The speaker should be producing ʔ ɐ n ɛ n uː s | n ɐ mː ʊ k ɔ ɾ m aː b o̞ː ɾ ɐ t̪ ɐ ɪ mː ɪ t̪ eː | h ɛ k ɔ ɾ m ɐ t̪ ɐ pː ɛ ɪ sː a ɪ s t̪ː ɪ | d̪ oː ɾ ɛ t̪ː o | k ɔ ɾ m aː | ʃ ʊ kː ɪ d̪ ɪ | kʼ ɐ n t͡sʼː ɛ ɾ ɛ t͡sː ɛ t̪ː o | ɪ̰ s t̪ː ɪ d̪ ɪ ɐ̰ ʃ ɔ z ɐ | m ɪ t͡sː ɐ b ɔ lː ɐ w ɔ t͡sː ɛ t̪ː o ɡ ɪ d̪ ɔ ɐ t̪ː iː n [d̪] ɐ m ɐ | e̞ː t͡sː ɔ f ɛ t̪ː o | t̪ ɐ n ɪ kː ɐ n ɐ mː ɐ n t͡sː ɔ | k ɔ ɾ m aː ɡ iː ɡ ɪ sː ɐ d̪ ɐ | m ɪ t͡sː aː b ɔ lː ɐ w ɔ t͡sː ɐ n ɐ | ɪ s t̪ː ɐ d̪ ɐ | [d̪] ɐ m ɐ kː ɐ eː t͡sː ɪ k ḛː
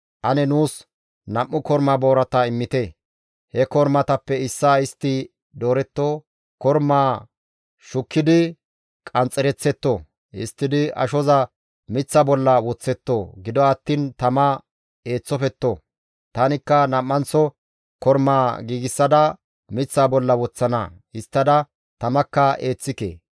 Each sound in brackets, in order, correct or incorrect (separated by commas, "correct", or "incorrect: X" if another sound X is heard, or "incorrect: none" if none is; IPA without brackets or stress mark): incorrect: t̪, incorrect: t̪